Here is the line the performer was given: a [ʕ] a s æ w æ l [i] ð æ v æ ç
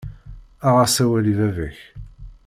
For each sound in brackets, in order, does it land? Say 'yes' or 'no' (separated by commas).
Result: no, yes